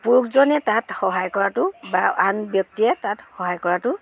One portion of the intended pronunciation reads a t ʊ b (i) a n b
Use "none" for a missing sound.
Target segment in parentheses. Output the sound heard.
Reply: a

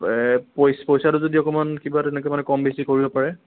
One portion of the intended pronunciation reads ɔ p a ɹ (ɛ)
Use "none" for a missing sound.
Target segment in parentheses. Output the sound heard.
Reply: ɛ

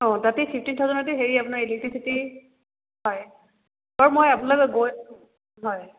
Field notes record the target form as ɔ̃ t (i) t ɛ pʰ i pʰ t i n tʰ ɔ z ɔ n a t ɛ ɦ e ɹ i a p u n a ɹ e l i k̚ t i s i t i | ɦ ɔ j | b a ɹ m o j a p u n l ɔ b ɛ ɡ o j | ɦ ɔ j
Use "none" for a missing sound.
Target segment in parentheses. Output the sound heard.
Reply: a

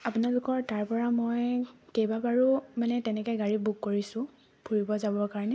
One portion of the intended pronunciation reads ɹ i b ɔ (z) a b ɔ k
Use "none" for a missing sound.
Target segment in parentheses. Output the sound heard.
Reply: z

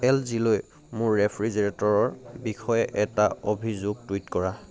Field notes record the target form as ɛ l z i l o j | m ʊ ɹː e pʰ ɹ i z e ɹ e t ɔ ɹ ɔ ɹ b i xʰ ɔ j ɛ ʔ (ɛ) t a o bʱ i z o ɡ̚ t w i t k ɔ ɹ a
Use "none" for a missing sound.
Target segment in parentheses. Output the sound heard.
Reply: ɛ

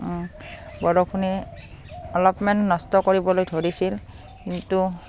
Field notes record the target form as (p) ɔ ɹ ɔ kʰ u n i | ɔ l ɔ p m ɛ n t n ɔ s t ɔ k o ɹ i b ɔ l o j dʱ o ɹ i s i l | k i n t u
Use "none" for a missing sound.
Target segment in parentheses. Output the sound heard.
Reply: b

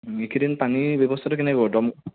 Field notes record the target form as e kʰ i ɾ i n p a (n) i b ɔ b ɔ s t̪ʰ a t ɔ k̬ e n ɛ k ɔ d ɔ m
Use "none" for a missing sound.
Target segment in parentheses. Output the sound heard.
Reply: n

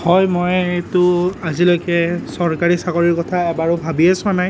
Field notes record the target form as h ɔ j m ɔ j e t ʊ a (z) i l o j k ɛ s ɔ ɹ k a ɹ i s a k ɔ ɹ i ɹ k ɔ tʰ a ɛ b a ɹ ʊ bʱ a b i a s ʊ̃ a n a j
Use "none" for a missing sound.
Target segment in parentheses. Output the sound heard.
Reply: z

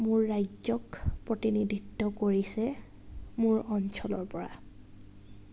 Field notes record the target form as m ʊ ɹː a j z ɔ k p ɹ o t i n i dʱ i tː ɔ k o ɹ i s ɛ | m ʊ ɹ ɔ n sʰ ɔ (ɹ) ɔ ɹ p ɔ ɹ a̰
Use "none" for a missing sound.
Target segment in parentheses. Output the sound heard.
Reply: l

